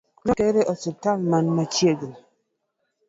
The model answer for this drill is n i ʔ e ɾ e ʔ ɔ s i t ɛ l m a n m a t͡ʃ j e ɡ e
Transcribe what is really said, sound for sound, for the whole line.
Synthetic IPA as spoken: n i k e ɾ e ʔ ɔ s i t a l m a n m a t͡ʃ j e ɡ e